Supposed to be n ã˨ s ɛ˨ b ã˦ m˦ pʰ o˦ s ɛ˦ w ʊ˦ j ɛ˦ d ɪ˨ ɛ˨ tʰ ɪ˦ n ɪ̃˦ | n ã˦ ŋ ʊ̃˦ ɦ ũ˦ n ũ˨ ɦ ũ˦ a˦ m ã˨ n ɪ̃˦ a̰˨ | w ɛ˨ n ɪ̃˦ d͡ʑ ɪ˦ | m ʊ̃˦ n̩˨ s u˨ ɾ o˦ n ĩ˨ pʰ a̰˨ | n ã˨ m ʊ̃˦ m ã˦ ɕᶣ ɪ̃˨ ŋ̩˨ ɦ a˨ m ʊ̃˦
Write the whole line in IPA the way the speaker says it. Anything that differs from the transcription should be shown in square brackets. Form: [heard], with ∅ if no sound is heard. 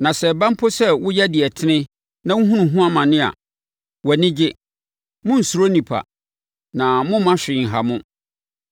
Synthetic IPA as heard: n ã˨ s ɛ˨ b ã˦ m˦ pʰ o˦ s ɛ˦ w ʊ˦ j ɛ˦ d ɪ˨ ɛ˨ tʰ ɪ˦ n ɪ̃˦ | n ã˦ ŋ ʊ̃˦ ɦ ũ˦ n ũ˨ ɦ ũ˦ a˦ m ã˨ n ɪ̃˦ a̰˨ | w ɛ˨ n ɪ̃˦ d͡ʑ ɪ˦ | m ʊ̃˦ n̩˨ s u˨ ɾ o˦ n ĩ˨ pʰ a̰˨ | n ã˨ m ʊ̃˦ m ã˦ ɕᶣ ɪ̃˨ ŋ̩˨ ɦ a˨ m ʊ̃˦